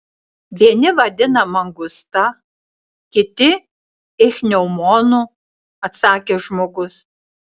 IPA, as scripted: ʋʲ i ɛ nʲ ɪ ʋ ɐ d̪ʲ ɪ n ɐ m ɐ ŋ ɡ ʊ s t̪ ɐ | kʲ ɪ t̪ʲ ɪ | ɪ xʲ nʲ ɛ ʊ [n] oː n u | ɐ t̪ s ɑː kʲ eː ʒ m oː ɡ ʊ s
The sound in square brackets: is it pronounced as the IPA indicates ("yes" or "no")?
no